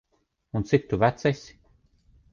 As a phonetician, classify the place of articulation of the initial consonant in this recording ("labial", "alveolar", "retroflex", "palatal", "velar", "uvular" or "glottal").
alveolar